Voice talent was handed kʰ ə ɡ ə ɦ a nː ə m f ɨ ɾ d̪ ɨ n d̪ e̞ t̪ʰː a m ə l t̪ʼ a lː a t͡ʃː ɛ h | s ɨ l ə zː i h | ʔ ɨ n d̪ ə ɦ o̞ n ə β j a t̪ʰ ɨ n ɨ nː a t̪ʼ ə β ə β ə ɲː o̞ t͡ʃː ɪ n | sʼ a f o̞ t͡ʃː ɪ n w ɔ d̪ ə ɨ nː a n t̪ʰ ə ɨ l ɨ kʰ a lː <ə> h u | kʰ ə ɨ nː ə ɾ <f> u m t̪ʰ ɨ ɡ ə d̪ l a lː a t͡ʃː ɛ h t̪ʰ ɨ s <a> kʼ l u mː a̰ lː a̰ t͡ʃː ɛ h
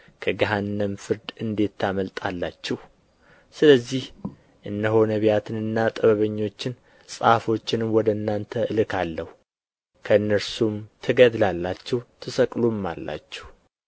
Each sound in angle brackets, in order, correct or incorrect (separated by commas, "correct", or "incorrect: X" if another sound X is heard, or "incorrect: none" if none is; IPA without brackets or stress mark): correct, incorrect: s, incorrect: ə